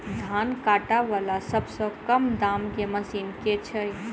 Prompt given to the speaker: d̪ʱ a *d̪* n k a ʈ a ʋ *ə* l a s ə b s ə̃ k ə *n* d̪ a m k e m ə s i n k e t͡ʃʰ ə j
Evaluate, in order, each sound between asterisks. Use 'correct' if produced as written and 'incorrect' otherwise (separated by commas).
incorrect, incorrect, incorrect